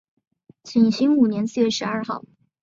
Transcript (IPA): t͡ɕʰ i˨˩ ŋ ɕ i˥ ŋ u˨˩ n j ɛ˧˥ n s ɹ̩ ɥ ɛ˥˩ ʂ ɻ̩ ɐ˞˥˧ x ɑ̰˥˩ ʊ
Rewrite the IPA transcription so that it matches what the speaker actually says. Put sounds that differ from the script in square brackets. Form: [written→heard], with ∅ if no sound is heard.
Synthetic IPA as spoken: t͡ɕʰ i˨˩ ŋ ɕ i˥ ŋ u˨˩ n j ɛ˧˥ n s ɹ̩ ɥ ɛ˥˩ ʂ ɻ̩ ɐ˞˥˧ x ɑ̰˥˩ ʊ